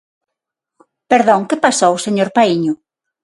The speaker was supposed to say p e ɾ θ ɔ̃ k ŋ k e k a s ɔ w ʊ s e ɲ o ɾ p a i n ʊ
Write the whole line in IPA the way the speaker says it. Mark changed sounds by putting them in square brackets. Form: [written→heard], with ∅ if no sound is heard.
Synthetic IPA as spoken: p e ɾ [θ→ð] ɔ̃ [k→∅] ŋ k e [k→p] a s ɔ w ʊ s e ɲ o ɾ p a i [n→ɲ] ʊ